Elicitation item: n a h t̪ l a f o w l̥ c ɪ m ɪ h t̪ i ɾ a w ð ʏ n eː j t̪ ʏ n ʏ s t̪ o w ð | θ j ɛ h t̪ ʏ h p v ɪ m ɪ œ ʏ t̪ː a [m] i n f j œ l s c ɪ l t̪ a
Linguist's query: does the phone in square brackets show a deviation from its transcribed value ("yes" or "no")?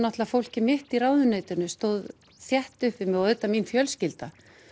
no